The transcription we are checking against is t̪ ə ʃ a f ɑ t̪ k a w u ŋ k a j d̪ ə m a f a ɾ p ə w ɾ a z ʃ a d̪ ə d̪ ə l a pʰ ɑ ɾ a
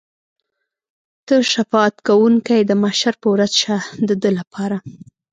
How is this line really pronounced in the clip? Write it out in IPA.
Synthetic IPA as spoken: t̪ ə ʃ a f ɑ t̪ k a w u ŋ k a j d̪ ə m a ʃ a ɾ p ə w ɾ a z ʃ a d̪ ə d̪ ə l a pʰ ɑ ɾ a